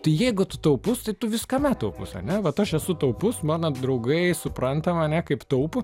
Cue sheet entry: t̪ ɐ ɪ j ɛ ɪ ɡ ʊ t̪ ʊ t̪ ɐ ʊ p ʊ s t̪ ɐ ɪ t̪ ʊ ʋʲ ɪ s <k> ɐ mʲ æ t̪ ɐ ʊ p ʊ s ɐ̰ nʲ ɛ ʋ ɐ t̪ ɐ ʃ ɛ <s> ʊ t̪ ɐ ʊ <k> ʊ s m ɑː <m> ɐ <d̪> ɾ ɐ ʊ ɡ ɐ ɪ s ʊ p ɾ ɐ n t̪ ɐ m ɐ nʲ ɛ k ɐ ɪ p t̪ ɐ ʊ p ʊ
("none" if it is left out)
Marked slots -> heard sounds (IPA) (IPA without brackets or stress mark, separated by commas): k, s, p, n, d̪